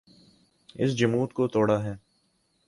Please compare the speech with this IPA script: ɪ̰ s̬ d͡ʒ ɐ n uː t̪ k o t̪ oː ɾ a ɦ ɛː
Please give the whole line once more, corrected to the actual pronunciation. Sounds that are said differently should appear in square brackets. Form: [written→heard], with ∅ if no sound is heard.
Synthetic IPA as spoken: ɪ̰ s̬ d͡ʒ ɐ [n→m] uː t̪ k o t̪ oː [ɾ→ɽ] a ɦ ɛː